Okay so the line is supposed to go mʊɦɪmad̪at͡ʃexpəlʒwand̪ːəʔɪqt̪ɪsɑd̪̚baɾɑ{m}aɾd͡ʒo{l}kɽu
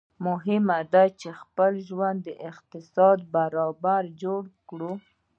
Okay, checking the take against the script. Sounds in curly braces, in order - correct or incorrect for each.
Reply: incorrect, incorrect

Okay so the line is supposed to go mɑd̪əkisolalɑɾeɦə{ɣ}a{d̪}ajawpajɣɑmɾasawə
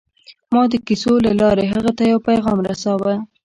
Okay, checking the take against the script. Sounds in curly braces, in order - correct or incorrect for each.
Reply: correct, incorrect

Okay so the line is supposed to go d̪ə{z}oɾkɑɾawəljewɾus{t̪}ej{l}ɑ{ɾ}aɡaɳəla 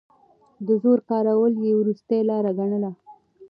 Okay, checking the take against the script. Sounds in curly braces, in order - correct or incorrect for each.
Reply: correct, correct, correct, correct

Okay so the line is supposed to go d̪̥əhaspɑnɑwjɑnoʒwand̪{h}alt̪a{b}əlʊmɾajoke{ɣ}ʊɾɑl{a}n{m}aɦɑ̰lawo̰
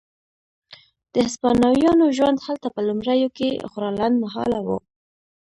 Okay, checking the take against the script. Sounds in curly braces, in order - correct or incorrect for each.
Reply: correct, incorrect, incorrect, correct, correct

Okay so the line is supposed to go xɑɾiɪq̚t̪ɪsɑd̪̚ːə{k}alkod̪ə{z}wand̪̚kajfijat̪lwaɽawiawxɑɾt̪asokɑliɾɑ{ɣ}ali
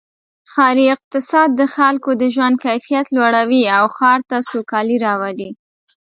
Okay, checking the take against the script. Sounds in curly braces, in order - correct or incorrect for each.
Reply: incorrect, incorrect, incorrect

